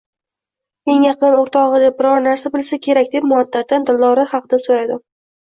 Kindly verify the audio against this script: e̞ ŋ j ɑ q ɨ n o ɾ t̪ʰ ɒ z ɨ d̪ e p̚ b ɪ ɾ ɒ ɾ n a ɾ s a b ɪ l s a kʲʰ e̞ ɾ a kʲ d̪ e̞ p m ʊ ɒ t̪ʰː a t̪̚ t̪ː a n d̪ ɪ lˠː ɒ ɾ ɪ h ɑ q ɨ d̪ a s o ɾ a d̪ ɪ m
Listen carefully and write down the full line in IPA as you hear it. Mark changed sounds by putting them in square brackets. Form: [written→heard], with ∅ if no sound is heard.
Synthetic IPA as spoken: e̞ ŋ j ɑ q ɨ n o ɾ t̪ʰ ɒ [z→ʁ] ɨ d̪ e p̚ b ɪ ɾ ɒ ɾ n a ɾ s a b ɪ l s a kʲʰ e̞ ɾ a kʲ d̪ e̞ p m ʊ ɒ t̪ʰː a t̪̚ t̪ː a n d̪ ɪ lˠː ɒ ɾ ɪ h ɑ q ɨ d̪ a s o ɾ a d̪ ɪ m